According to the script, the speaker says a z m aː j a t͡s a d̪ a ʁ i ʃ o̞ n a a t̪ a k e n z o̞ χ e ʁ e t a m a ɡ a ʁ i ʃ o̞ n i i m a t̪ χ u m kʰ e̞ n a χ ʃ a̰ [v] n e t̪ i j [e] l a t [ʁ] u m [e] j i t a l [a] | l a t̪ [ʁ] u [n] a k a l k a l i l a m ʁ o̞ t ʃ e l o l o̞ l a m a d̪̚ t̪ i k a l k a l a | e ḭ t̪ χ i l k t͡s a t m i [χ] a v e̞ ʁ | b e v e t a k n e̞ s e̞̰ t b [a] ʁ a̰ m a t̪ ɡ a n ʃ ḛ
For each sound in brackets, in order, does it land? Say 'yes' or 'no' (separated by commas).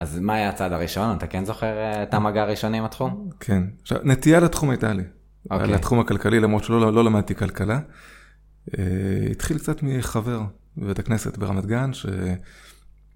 yes, no, no, no, no, no, no, yes, no